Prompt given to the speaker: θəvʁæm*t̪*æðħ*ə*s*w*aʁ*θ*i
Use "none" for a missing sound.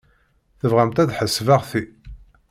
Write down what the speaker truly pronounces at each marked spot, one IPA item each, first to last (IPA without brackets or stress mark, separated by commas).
t̪, ə, v, θ